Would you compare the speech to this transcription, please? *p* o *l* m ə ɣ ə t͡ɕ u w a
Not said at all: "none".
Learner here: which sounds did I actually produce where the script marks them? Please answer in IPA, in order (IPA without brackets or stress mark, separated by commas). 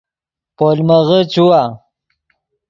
p, l